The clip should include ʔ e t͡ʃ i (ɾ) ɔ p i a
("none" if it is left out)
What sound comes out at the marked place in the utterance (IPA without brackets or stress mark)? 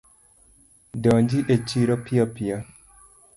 ɾ